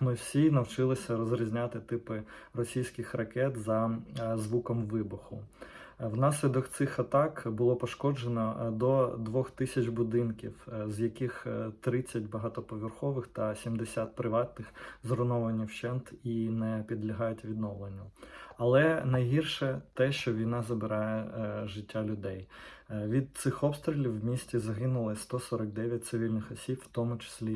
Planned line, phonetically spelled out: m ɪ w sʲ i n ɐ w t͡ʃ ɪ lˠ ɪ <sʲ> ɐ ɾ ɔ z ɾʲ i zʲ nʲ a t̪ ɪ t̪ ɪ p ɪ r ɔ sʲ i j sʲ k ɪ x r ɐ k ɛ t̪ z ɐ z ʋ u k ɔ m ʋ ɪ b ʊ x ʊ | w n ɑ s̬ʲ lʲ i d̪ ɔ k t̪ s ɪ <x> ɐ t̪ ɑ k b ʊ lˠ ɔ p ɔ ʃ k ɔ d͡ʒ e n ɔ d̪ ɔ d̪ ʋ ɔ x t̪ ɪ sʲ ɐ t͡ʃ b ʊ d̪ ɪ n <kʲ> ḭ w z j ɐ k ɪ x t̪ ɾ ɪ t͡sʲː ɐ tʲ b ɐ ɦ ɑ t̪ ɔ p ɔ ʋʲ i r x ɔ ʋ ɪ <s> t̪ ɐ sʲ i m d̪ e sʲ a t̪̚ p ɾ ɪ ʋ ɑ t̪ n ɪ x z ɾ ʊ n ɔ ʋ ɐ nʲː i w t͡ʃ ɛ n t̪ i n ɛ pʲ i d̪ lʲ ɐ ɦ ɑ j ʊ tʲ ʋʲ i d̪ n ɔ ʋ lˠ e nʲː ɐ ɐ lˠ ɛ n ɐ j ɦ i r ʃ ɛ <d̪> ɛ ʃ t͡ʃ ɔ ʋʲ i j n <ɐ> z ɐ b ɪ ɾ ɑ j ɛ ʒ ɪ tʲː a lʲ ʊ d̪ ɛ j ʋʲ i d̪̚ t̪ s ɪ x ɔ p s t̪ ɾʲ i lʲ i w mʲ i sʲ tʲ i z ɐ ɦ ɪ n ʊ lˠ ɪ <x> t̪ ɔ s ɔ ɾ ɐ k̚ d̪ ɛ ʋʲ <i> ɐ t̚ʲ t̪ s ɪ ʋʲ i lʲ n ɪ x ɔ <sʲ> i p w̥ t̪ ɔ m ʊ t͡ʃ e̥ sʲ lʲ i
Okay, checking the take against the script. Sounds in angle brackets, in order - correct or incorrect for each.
correct, correct, correct, incorrect: x, incorrect: t̪, incorrect: ɑ, incorrect: s, incorrect: j, correct

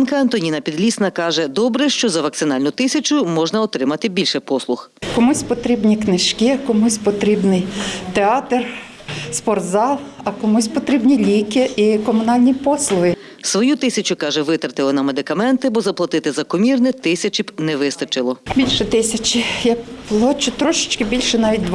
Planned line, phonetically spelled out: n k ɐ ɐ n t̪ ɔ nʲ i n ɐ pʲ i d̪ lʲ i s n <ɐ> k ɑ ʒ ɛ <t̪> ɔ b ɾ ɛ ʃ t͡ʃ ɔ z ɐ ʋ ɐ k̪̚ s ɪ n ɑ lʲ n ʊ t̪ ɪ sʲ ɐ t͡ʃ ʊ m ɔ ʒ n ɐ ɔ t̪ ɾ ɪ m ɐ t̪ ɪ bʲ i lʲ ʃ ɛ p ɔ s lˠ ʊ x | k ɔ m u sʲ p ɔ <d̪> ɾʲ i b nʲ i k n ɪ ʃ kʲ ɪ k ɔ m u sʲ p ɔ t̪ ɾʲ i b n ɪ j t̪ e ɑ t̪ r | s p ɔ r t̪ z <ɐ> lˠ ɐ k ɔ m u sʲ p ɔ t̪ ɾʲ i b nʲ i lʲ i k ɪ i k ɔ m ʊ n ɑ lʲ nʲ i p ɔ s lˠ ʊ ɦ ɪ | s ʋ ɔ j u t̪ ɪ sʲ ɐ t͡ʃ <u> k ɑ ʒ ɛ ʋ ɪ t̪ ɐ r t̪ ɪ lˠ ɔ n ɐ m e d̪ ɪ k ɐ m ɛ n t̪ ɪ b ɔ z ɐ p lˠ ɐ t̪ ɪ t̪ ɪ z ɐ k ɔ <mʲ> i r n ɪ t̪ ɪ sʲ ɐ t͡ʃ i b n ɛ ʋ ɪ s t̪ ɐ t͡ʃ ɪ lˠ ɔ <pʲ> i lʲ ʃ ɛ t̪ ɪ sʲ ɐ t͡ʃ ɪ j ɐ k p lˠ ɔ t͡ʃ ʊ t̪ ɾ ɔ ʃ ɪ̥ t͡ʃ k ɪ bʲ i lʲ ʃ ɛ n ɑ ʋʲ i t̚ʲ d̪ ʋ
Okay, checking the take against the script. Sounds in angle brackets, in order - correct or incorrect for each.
correct, incorrect: d̪, incorrect: t̪, incorrect: ɑ, incorrect: ʊ, correct, incorrect: bʲ

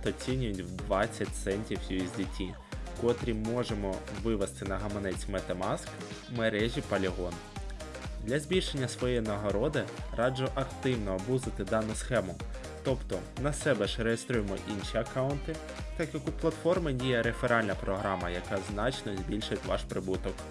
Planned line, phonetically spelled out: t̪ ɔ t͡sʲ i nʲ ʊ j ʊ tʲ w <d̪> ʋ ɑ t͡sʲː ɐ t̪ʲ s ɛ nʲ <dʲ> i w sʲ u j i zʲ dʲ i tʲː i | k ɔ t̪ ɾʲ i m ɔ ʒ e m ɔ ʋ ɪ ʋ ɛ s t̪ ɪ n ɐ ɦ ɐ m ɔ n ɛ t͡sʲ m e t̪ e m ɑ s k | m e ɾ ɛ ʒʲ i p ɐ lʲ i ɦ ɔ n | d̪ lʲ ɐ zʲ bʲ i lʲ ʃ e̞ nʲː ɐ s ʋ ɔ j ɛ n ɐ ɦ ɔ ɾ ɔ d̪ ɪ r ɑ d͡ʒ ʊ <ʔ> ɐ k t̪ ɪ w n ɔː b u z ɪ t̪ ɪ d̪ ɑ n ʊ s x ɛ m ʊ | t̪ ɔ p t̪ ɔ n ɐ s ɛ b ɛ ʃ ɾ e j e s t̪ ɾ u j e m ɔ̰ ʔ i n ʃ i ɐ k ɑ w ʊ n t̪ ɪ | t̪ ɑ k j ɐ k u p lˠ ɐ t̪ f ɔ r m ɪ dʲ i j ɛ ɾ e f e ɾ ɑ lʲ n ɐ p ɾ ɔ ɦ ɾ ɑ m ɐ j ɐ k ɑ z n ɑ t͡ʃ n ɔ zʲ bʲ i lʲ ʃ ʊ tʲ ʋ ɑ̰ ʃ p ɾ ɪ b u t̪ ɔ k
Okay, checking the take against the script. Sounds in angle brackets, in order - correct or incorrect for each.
correct, incorrect: tʲ, correct

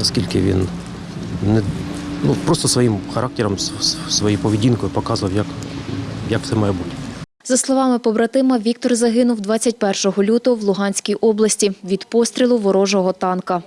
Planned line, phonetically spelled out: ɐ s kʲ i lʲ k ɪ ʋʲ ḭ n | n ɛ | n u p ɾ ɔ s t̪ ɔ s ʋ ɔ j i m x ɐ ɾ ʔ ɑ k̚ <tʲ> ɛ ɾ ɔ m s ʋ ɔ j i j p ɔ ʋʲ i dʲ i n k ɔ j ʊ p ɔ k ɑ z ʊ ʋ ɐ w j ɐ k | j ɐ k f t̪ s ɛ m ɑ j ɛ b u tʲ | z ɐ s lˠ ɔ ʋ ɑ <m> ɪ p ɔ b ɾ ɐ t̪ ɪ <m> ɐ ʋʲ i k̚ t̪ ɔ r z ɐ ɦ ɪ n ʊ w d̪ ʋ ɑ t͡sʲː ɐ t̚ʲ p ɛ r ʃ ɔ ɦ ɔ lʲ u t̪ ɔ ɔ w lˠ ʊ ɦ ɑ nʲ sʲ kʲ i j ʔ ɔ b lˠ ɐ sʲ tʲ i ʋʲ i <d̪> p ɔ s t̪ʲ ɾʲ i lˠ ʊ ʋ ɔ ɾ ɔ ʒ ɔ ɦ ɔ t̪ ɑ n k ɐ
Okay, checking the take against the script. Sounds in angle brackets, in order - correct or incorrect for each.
correct, correct, correct, correct

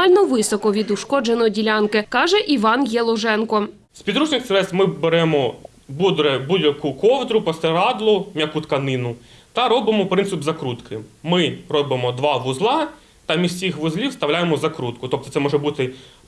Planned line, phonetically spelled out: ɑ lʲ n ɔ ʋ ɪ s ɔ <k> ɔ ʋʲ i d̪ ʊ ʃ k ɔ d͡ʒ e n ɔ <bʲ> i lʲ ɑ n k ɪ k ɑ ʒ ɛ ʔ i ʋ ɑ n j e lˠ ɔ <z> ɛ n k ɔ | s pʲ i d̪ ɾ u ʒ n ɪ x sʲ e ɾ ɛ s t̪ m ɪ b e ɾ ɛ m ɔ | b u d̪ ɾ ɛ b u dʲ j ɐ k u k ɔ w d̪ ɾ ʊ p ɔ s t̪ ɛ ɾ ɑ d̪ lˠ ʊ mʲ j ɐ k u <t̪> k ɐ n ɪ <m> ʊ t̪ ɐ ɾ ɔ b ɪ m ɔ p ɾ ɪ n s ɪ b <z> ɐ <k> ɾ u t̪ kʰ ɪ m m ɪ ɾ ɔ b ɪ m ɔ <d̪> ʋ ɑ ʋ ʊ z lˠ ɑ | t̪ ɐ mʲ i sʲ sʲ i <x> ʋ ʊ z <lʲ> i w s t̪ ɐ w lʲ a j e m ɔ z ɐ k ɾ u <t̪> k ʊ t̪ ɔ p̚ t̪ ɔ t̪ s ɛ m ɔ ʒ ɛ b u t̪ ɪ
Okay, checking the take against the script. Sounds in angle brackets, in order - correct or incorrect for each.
correct, incorrect: dʲ, incorrect: ʒ, correct, incorrect: n, correct, correct, correct, correct, correct, correct

